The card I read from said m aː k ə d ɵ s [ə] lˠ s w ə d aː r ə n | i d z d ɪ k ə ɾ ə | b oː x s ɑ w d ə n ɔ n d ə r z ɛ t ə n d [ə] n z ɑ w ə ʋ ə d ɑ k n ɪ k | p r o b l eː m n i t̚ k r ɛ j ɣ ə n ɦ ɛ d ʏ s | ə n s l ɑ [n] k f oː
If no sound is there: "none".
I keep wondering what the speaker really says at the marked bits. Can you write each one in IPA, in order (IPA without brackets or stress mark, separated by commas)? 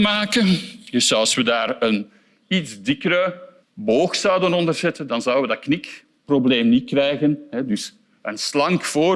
ɑ, ɑ, ŋ